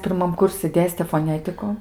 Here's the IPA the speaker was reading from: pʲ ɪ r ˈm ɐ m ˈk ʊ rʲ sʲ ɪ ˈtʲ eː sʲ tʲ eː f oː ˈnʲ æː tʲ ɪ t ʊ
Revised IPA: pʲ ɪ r ˈm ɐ m ˈk ʊ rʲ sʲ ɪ ˈdʲ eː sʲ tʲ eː f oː ˈnʲ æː tʲ ɪ k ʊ